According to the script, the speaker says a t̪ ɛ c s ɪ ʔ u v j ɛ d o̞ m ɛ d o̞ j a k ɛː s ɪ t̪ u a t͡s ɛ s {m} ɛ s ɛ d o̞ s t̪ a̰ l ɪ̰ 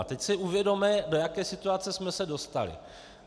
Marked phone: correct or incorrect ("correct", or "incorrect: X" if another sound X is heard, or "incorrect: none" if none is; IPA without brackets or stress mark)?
correct